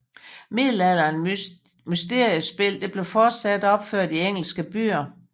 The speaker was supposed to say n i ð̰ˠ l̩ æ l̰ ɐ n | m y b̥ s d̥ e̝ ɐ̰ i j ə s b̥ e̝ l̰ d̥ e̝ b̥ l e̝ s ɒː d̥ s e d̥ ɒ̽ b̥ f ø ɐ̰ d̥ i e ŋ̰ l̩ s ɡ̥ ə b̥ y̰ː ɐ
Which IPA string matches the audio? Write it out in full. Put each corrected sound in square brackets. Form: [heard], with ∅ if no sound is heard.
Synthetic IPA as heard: [m] i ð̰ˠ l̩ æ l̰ ɐ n | m y [∅] s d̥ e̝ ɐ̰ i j ə s b̥ e̝ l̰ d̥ e̝ b̥ l e̝ [f] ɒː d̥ s [æ] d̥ ɒ̽ b̥ f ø ɐ̰ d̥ i e ŋ̰ l̩ s ɡ̥ ə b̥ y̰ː ɐ